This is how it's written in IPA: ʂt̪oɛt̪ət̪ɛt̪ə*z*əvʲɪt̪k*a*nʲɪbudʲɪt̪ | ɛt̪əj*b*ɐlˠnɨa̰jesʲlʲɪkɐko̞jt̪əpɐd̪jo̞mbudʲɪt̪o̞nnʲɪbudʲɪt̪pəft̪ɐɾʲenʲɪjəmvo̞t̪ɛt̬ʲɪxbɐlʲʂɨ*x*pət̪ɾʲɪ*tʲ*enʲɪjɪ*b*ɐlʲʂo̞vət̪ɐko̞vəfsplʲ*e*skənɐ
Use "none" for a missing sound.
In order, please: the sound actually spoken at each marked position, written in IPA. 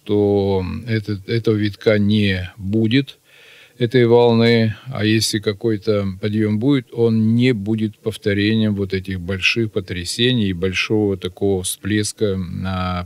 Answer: v, a, v, x, sʲ, b, e

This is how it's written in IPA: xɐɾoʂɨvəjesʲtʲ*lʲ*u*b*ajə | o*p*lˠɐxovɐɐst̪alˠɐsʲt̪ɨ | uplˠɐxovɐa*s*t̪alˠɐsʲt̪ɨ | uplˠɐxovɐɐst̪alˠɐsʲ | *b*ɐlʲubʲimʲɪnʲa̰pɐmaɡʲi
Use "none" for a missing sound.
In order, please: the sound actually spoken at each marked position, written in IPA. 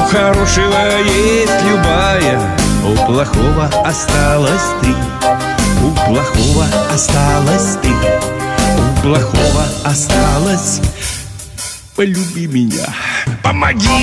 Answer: lʲ, b, p, s, p

